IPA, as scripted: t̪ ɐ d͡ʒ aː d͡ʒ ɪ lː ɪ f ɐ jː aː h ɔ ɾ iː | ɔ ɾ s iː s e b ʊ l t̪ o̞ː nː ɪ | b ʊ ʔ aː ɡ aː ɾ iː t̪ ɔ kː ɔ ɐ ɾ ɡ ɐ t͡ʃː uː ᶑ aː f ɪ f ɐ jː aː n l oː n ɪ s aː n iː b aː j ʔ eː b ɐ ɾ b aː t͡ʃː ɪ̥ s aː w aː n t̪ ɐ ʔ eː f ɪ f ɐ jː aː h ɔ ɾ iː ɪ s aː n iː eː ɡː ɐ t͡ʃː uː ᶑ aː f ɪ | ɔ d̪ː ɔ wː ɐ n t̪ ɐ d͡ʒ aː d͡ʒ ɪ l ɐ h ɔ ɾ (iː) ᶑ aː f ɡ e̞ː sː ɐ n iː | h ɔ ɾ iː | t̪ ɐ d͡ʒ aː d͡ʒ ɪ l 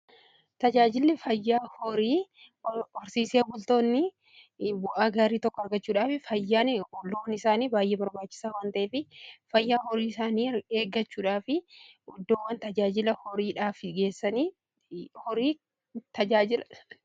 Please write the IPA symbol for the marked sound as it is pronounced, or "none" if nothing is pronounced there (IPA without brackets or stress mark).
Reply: iː